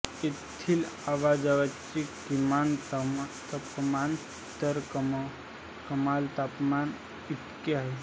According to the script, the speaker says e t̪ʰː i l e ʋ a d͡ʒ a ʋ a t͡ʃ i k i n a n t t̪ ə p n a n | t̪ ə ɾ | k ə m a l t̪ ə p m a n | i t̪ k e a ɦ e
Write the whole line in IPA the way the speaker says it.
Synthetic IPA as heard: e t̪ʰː i l a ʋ a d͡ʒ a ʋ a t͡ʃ i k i m a n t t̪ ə p m a n | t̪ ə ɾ | k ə m a l t̪ a p m a n | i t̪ k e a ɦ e